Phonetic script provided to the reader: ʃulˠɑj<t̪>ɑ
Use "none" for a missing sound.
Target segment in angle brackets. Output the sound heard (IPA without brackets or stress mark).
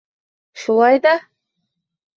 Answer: d̪